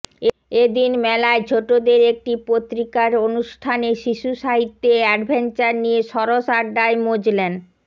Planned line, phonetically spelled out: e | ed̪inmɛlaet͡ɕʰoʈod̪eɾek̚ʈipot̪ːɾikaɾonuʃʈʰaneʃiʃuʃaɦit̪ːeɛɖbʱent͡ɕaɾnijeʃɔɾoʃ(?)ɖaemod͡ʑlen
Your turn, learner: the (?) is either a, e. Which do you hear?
a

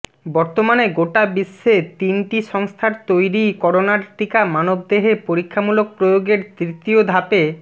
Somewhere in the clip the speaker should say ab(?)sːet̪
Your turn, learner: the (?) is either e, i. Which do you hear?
i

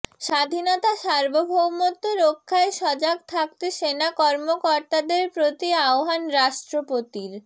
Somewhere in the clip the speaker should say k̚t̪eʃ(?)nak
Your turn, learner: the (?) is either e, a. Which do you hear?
e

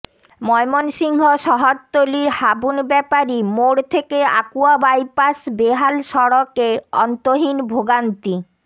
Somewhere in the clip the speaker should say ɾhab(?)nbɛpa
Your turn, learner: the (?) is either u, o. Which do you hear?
u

